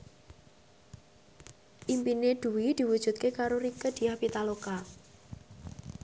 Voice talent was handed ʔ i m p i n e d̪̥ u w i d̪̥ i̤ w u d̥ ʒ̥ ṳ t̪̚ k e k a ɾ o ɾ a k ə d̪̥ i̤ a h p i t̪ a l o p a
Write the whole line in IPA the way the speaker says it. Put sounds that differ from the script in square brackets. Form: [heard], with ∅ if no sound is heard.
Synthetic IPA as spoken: ʔ i m p i n e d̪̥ u w i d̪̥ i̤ w u d̥ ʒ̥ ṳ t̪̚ k e k a ɾ o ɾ [i] k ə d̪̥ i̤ a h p i t̪ a l o [k] a